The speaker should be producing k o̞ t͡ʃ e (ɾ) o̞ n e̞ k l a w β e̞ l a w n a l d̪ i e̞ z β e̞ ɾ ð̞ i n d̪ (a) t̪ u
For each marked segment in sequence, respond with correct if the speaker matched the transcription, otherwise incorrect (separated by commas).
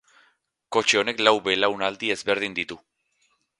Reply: incorrect, incorrect